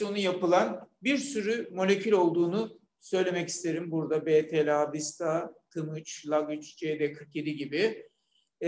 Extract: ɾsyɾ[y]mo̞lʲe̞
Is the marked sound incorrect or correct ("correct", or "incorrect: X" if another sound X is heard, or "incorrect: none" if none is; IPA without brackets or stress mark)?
correct